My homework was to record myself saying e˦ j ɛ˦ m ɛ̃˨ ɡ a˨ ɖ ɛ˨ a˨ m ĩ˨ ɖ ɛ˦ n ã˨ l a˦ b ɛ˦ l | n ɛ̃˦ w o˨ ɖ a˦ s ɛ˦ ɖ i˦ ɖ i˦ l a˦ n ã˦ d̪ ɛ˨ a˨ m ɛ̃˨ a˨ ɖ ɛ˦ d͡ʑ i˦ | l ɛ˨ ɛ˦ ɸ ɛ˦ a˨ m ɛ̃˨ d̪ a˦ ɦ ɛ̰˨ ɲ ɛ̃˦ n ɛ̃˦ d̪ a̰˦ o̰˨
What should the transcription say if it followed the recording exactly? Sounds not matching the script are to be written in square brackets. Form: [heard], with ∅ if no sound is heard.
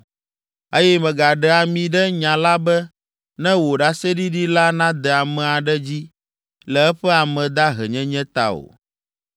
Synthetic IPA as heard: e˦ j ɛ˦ m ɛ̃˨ ɡ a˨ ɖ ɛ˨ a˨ m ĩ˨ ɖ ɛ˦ [ɲ] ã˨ l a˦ b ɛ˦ [∅] | n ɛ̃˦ w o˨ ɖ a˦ s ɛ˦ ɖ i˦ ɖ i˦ l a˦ n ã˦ d̪ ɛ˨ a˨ m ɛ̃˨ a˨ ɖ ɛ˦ d͡ʑ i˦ | l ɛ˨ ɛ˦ ɸ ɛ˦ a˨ m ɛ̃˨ d̪ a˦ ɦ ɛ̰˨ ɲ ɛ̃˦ [ɲ] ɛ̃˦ [t̪] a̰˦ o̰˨